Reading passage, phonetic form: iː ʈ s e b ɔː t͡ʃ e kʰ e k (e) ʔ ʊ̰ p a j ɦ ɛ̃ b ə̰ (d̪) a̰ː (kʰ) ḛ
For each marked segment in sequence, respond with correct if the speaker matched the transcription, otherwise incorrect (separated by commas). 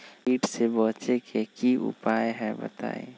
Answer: incorrect, incorrect, incorrect